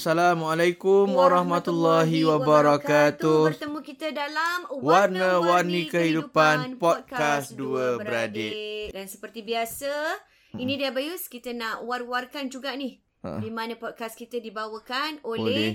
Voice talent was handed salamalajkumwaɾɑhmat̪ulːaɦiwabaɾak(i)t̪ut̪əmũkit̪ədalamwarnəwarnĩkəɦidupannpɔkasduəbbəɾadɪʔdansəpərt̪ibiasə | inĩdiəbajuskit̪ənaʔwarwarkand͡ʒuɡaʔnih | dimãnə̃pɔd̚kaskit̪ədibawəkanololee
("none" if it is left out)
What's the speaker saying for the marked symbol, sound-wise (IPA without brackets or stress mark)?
a